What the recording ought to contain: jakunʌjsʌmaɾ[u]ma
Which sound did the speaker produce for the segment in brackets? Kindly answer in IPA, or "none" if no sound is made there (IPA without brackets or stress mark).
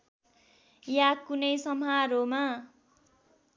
o